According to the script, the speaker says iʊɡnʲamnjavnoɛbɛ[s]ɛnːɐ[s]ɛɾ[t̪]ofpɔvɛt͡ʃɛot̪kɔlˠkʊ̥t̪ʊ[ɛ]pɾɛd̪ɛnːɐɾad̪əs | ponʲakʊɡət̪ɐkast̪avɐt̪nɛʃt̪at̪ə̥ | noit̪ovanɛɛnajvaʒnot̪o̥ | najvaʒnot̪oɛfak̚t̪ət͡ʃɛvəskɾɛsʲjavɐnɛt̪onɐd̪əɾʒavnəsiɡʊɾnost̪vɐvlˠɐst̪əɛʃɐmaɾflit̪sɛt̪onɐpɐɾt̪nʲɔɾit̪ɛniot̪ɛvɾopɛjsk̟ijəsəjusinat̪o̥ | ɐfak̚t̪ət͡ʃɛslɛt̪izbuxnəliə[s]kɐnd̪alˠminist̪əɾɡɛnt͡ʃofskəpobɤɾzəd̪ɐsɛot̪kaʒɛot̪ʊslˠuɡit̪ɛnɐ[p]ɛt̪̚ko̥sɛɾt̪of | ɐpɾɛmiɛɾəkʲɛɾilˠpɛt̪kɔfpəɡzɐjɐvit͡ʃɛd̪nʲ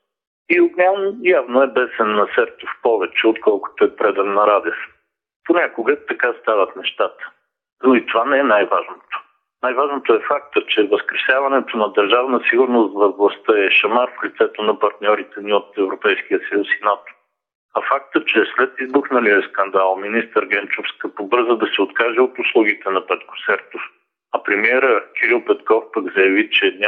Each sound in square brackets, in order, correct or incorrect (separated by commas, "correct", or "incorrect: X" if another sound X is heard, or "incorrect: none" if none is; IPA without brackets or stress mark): correct, correct, correct, correct, correct, correct